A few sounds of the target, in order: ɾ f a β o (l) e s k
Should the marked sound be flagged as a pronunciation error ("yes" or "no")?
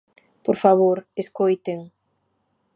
yes